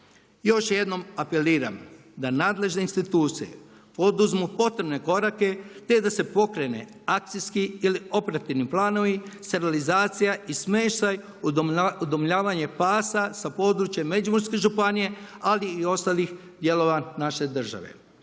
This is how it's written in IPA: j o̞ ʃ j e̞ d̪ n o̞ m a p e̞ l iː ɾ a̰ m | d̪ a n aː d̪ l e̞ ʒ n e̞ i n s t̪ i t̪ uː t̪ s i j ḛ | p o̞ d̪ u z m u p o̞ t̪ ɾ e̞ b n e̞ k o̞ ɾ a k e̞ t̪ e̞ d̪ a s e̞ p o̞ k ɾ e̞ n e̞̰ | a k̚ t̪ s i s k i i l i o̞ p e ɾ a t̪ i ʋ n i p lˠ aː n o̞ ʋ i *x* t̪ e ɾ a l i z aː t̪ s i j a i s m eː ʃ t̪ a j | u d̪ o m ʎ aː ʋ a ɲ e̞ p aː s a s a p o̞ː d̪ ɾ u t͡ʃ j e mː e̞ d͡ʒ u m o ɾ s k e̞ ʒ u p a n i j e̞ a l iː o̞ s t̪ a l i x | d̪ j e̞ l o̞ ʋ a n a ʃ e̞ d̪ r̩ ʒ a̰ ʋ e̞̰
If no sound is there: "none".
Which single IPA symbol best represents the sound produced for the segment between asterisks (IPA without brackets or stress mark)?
s